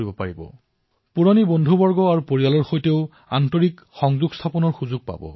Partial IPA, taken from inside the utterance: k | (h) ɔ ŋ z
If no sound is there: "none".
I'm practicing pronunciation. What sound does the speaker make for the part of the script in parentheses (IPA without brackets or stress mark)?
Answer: x